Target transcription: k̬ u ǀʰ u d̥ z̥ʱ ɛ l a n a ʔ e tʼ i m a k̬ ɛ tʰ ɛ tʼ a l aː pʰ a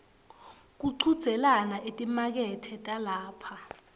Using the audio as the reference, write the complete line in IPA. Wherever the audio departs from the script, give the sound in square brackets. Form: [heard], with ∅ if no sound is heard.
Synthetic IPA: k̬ u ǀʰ u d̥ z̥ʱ ɛ l a n a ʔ e tʼ i m a k̬ ɛ tʰ ɛ tʼ a l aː pʰ a